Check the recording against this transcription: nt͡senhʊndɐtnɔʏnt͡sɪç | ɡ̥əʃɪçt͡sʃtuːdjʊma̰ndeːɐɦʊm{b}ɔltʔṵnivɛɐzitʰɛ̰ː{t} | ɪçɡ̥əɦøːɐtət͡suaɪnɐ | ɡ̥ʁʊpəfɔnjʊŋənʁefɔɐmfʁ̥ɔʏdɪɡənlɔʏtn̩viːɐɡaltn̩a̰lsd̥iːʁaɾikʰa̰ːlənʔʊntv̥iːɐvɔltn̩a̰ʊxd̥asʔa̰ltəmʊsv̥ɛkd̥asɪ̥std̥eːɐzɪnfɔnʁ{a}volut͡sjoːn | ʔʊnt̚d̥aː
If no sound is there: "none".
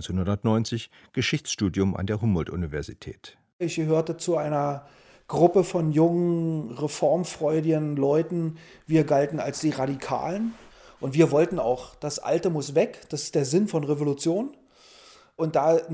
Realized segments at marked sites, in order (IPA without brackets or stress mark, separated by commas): b, t, e